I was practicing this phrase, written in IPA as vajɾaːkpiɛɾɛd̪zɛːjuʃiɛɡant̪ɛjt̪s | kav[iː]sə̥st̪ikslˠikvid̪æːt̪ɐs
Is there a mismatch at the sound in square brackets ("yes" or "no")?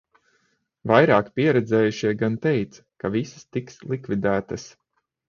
yes